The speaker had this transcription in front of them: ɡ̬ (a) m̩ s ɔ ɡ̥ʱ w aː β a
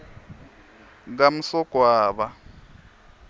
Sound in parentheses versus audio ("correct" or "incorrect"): correct